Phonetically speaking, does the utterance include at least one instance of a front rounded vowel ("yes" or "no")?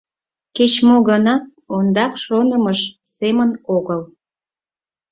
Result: no